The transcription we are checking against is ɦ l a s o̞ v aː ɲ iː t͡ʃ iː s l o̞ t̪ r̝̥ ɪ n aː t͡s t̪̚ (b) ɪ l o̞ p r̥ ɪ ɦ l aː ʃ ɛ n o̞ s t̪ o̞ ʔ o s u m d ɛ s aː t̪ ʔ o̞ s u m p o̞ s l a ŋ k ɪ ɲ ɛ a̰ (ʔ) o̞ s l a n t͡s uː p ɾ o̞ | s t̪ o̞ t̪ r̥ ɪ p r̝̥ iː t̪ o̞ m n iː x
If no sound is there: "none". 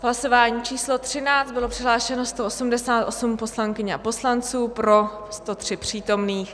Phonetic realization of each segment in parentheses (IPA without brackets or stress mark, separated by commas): b, p